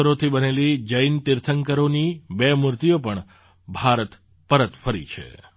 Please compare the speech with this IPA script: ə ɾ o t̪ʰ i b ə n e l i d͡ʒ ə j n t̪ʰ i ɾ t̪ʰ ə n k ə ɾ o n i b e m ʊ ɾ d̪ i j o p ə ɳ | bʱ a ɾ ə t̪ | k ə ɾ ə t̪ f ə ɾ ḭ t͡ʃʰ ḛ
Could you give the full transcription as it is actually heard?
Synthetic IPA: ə ɾ o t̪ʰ i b ə n e l i d͡ʒ ə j n t̪ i ɾ t̪ʰ ə ŋ k ə ɾ o n i b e m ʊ ɾ t̪ i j o p ə ɳ | bʱ a ɾ ə t̪ | p ə ɾ ə t̪ f ə ɾ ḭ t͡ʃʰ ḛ